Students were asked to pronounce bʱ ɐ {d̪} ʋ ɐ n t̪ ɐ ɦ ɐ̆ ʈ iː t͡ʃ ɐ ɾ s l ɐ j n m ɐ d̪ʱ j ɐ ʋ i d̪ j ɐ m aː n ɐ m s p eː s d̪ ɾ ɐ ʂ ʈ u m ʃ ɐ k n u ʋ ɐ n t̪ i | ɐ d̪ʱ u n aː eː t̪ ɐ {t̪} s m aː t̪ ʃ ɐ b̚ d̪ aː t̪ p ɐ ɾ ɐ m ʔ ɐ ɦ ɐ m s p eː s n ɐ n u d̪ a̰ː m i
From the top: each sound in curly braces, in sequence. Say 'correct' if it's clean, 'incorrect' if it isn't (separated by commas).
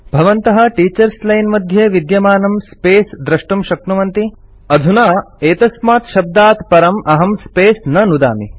incorrect, incorrect